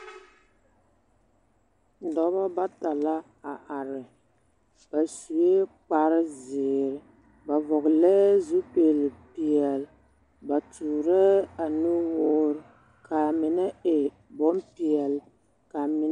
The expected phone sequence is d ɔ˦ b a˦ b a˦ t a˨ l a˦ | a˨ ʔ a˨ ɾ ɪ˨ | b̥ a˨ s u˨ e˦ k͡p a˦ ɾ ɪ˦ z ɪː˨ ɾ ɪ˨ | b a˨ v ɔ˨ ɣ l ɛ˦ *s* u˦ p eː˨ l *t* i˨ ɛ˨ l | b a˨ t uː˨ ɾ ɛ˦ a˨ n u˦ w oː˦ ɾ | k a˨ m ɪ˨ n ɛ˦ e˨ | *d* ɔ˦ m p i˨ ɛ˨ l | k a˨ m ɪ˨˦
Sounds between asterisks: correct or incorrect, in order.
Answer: incorrect, incorrect, incorrect

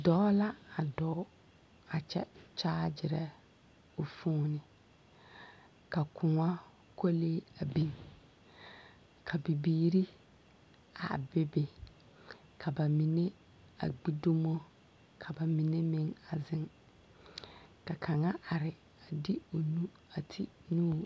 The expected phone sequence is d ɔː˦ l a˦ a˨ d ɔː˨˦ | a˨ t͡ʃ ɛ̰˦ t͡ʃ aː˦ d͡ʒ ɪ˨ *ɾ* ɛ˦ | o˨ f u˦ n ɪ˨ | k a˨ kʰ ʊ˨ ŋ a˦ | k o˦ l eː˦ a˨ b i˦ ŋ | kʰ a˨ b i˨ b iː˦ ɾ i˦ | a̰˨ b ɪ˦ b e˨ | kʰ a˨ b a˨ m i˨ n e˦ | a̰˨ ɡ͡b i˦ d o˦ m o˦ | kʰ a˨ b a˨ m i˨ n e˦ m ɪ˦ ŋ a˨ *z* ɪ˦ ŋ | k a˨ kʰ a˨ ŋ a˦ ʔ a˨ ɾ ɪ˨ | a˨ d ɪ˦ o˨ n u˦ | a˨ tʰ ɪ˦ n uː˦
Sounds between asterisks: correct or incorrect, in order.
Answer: correct, correct

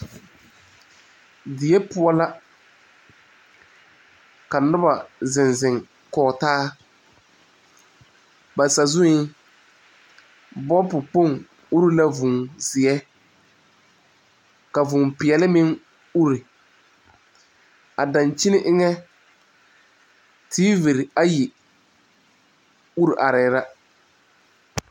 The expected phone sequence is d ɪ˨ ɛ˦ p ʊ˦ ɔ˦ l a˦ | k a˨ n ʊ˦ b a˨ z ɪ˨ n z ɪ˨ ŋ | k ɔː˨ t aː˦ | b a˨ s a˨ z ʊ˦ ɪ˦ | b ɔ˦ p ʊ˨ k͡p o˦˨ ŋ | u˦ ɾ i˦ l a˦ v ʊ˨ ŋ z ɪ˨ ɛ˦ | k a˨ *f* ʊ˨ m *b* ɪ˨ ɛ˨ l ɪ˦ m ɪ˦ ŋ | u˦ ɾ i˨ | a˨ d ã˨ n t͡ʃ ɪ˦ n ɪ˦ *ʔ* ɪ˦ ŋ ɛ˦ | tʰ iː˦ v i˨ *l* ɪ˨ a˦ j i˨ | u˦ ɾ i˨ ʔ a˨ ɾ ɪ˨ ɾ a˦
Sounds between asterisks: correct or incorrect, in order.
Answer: incorrect, incorrect, correct, incorrect

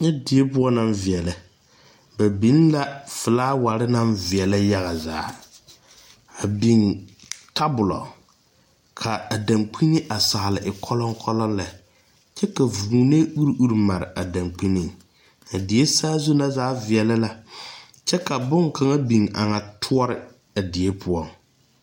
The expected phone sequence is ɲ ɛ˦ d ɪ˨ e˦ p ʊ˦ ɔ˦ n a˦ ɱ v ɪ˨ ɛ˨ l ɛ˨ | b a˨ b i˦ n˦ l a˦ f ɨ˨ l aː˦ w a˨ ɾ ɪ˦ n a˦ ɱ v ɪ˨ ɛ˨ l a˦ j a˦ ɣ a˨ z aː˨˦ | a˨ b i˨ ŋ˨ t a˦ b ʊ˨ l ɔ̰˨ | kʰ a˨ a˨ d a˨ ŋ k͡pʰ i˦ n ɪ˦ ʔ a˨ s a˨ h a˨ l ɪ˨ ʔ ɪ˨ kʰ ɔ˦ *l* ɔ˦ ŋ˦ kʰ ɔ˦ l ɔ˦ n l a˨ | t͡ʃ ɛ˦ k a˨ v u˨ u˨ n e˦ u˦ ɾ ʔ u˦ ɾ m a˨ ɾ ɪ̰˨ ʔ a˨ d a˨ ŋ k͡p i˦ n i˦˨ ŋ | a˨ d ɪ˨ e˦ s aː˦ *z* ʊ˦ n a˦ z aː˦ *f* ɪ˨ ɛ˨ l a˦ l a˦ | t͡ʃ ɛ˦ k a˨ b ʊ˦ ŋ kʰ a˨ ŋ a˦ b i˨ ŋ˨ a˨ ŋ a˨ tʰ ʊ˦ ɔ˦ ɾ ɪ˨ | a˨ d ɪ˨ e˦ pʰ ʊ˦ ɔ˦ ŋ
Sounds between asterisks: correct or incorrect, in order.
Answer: correct, correct, incorrect

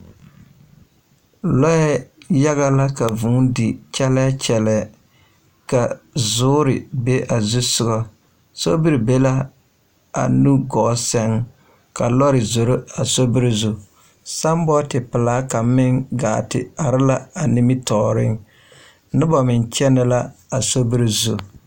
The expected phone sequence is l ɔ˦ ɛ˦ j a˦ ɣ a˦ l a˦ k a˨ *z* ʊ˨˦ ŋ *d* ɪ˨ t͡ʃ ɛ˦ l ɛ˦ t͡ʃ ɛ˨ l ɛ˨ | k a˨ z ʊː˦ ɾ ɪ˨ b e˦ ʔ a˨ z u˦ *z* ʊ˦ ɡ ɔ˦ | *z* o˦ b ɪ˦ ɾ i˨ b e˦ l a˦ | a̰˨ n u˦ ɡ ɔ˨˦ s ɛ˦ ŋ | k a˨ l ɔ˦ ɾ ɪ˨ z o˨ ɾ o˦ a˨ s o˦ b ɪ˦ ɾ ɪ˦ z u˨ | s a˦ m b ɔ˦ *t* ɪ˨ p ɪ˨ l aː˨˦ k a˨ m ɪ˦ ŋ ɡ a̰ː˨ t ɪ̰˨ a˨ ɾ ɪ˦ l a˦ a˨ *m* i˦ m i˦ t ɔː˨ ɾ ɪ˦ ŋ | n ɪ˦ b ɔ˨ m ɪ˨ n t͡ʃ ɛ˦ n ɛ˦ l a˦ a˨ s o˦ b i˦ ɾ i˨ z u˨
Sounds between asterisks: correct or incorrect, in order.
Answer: incorrect, correct, incorrect, incorrect, correct, incorrect

